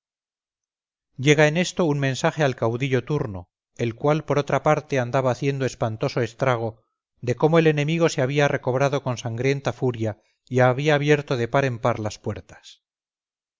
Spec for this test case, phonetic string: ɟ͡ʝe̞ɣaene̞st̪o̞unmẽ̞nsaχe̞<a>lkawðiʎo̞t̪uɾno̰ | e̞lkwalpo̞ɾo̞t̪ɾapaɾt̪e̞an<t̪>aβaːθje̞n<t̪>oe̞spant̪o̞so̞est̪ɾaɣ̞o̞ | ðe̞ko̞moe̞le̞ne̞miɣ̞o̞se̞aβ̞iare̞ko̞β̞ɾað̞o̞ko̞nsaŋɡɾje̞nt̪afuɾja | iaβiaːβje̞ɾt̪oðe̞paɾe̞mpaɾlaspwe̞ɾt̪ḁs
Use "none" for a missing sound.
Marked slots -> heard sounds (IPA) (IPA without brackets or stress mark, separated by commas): a, d̪, d̪